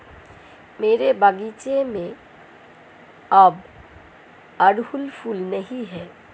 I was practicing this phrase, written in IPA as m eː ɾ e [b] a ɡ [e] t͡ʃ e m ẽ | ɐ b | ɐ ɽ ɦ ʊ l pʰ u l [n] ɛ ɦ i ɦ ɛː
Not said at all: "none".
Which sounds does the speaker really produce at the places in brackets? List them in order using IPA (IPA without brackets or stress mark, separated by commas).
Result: b, i, n